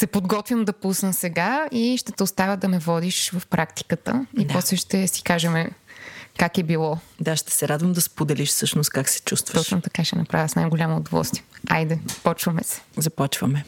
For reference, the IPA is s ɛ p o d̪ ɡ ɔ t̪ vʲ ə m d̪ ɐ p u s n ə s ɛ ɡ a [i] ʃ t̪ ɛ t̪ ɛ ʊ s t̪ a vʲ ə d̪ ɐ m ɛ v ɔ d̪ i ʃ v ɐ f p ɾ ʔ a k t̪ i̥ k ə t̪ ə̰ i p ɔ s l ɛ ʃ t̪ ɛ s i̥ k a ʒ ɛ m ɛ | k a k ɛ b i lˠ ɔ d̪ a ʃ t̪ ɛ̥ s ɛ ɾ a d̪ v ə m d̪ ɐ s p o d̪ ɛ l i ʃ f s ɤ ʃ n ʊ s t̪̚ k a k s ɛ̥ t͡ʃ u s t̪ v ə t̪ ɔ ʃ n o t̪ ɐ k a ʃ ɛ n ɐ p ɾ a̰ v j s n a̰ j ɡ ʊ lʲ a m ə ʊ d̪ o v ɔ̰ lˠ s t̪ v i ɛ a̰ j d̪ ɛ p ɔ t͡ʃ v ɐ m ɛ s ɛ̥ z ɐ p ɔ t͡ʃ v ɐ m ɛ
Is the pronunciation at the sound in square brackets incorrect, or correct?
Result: correct